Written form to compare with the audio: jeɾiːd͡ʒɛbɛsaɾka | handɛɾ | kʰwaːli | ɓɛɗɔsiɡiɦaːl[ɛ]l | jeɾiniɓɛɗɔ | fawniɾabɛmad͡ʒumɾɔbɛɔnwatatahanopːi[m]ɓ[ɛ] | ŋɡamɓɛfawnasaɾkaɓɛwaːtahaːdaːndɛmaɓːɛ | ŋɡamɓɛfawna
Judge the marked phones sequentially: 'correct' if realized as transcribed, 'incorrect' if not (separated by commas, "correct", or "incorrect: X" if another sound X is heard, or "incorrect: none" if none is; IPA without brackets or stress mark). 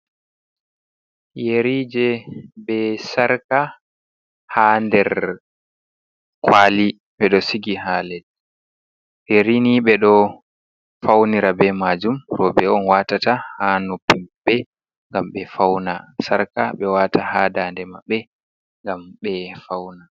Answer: correct, correct, correct